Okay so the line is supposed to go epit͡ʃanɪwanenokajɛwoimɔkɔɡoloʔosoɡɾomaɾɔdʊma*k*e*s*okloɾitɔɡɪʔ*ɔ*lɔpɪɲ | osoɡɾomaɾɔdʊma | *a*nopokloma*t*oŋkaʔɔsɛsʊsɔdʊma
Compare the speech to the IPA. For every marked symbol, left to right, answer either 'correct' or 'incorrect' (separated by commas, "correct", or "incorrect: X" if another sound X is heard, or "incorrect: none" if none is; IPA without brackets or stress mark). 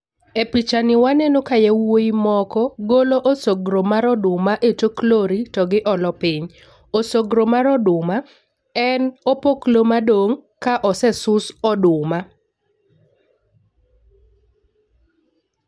incorrect: ʔ, incorrect: t, correct, incorrect: ɛ, incorrect: d